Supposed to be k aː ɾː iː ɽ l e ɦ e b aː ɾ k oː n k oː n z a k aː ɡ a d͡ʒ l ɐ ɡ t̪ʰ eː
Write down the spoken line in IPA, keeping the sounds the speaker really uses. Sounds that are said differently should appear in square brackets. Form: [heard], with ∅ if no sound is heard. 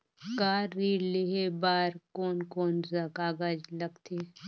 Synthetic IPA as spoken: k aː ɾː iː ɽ l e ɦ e b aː ɾ k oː n k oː n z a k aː ɡ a d͡ʒ l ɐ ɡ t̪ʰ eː